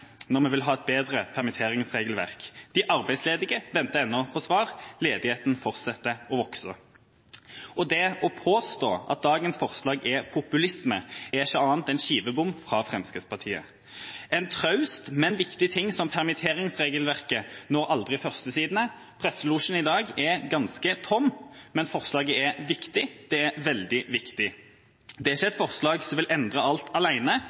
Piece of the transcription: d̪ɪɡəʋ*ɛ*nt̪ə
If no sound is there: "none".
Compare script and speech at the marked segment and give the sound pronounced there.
ɛ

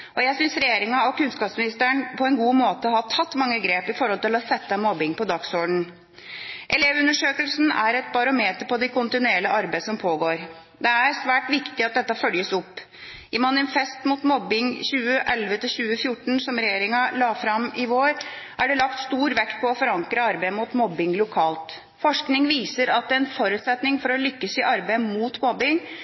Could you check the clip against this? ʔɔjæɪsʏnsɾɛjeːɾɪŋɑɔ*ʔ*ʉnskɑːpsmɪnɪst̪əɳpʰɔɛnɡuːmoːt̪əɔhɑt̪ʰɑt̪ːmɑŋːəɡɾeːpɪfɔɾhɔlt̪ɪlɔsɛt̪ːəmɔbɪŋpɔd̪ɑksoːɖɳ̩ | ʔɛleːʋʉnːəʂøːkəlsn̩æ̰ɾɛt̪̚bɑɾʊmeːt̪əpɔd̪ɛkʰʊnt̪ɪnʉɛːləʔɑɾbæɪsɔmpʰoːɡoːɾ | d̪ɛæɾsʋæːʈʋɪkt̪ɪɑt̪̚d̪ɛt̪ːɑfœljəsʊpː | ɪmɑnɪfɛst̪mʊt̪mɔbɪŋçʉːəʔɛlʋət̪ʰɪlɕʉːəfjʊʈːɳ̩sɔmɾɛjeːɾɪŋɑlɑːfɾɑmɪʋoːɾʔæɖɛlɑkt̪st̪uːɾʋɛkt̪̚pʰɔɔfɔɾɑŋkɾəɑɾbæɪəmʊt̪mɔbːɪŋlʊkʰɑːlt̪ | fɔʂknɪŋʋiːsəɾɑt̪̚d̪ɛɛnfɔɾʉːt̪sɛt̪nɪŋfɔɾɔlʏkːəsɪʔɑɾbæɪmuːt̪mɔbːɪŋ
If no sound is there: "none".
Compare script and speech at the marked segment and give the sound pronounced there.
k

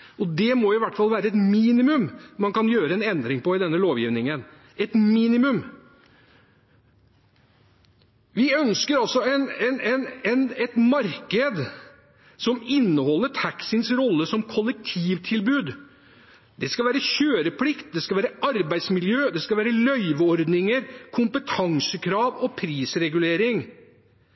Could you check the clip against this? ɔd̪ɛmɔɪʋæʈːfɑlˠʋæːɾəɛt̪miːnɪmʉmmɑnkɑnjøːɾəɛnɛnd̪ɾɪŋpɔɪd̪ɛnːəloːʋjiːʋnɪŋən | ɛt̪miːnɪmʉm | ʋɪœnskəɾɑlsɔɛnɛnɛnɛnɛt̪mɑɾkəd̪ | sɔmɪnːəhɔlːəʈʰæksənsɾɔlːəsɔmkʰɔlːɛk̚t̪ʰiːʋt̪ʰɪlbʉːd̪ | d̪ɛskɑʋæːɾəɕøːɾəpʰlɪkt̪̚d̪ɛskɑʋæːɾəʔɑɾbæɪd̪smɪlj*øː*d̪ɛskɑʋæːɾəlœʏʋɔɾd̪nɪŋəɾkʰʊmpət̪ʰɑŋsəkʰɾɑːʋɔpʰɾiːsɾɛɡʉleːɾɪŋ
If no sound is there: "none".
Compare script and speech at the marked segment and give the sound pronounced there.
øː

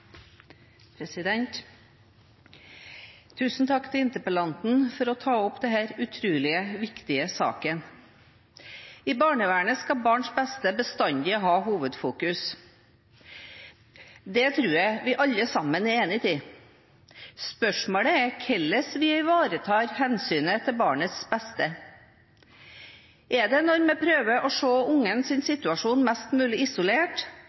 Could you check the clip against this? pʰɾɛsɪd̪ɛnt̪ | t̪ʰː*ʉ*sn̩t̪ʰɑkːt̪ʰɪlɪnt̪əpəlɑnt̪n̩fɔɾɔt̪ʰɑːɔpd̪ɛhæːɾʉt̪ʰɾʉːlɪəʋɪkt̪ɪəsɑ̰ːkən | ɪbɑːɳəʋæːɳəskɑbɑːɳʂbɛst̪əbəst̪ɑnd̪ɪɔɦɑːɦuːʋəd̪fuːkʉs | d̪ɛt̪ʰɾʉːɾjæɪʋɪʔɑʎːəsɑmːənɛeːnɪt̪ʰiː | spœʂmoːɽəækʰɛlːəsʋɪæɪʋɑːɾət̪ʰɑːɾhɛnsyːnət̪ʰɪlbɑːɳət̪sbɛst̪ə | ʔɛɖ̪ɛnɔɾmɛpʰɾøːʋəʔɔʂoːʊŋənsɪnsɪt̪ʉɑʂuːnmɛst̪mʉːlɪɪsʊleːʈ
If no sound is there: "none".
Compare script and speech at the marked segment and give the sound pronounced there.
ʉː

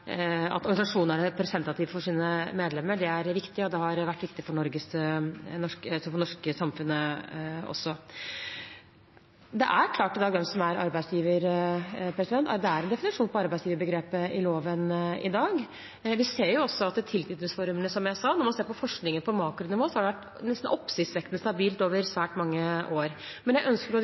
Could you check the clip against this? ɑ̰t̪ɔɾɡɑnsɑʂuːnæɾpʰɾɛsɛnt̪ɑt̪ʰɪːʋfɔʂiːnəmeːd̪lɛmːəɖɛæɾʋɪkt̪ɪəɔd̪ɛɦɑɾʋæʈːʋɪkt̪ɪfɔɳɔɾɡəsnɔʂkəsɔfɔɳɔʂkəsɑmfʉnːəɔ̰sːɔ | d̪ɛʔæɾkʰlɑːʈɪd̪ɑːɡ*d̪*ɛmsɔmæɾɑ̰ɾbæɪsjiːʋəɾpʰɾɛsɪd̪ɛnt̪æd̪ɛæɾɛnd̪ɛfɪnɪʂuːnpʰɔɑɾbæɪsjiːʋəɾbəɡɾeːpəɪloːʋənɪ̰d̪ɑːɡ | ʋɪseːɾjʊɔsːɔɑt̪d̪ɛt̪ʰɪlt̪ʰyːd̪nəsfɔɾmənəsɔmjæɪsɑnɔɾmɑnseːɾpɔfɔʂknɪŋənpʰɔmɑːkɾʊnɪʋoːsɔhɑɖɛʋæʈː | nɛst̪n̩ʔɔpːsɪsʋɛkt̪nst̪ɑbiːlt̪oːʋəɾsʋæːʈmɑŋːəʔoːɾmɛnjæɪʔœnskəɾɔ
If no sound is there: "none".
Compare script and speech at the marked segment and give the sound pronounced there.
d̪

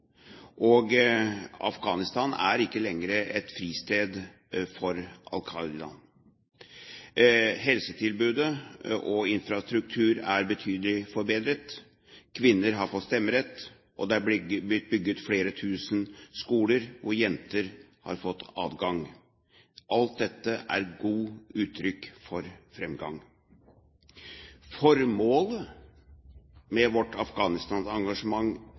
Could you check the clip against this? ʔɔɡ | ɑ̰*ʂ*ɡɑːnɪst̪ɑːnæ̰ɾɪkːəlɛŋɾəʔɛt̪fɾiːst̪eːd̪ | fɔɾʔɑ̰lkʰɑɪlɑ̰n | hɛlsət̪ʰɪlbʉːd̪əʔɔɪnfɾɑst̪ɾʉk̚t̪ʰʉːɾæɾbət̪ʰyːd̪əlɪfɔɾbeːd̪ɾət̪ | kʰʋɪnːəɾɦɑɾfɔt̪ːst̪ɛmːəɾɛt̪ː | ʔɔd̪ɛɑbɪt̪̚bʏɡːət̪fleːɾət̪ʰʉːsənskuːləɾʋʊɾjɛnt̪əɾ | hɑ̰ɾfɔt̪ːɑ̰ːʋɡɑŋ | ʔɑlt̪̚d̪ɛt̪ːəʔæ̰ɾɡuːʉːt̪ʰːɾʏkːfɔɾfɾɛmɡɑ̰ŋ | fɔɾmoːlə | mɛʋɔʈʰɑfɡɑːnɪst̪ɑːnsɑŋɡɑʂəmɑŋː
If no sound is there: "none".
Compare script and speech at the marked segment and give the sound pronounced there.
f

